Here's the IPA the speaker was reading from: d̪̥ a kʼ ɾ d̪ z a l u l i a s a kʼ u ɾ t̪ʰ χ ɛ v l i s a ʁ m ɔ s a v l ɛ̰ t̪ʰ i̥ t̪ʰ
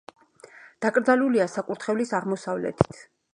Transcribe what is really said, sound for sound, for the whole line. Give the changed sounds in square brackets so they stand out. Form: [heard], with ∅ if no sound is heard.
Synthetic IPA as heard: d̪̥ a kʼ ɾ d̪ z a l u l i a s a kʼ u ɾ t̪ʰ χ ɛ v l i s a ʁ m ɔ s a v l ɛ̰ t̪ʰ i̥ t̪ʰ